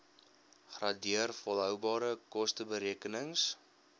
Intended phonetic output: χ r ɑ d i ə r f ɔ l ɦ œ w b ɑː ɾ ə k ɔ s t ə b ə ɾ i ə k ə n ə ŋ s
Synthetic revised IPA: χ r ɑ d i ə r f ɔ l ɦ œ w b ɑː ɾ ə k ɔ s t ə b ə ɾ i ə k ə n ə ŋ s

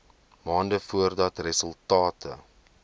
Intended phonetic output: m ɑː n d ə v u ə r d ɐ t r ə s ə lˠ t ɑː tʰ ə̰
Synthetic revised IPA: m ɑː n d ə f u ə r d ɐ t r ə s ə lˠ t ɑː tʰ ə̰

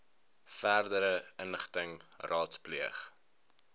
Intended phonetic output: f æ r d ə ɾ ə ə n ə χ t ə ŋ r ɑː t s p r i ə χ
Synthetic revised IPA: f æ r d ə ɾ ə ə n ə χ t ə ŋ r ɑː t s p l i ə χ

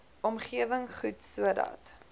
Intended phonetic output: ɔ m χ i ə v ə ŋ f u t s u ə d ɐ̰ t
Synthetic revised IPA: ɔ m χ i ə v ə ŋ χ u t s u ə d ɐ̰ t

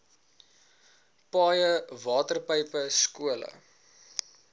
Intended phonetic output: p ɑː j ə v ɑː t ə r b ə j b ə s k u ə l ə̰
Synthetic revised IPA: p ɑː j ə v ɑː t ə r p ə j p ə s k u ə l ə̰

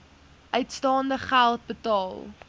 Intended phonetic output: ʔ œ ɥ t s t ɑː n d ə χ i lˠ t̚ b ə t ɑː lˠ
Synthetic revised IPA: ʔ œ ɥ t s t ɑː n d ə χ æ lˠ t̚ b ə t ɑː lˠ

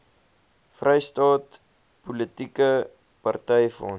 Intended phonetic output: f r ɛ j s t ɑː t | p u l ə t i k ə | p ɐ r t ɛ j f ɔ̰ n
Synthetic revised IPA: f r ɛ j s t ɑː t | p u l ə t i k ə | p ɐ r t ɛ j f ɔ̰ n

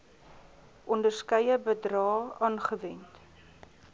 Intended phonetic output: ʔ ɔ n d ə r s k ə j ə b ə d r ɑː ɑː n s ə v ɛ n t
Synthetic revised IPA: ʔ ɔ n d ə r s k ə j ə b ə d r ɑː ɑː n χ ə v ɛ n t

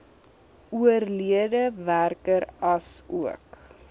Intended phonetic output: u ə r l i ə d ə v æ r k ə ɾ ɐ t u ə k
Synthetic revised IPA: u ə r l i ə d ə v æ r k ə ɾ ɐ s u ə k

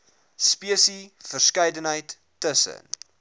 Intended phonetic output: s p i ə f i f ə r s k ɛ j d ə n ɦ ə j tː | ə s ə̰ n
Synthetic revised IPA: s p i ə s i f ə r s k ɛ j d ə n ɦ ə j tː | ə s ə̰ n

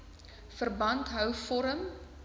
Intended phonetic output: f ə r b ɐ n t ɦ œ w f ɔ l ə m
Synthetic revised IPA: f ə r b ɐ n t ɦ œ w f ɔ ɾ ə m

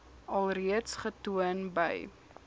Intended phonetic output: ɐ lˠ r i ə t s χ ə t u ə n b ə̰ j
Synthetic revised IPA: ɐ lˠ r i ə t s χ ə t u ə n b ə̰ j

